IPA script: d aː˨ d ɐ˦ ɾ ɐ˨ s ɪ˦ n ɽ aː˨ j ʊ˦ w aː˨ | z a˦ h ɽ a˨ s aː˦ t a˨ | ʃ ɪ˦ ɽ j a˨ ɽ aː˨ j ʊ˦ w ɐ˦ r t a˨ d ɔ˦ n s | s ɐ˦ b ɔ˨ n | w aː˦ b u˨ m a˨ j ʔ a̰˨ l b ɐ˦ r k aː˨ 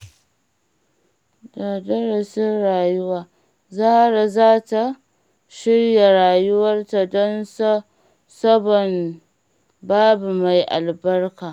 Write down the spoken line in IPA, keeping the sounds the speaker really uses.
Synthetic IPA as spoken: d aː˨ d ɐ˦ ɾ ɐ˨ s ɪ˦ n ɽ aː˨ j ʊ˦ w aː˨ | z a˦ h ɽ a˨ z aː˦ t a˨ | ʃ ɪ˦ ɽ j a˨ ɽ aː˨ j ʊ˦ w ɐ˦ r t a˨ d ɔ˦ n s | s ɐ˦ b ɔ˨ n | b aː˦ b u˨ m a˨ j ʔ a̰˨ l b ɐ˦ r k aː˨